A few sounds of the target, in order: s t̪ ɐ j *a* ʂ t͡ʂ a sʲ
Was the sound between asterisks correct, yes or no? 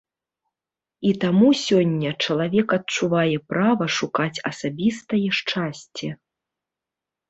no